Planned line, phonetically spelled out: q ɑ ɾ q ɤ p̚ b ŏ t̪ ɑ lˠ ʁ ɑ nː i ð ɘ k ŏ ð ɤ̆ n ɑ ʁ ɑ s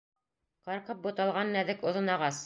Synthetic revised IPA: q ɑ ɾ q ɤ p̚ b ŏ t̪ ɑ lˠ ʁ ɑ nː æ ð ɘ k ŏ ð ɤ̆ n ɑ ʁ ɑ s